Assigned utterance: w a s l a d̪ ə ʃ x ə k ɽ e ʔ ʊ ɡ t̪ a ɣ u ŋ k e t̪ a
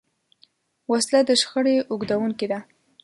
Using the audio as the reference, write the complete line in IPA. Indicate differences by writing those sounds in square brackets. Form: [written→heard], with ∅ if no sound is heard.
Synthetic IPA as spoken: w a s l a d̪ ə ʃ x ə [k→∅] ɽ e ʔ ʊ ɡ [t̪→d̪] a [ɣ→w] u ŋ k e [t̪→d̪] a